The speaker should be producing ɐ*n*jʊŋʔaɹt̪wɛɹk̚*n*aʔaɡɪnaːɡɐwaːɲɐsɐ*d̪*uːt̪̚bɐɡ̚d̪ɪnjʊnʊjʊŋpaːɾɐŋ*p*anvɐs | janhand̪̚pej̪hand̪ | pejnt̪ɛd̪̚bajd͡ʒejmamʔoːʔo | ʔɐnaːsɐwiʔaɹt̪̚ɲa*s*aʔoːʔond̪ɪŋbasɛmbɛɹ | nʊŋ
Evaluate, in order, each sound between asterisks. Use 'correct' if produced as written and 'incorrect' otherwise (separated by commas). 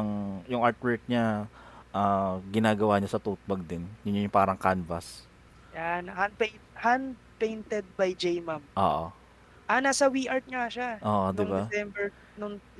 incorrect, incorrect, incorrect, incorrect, incorrect